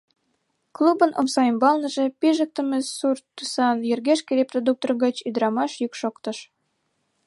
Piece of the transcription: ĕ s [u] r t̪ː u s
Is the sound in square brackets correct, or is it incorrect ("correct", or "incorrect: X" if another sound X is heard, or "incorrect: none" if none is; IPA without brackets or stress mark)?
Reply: correct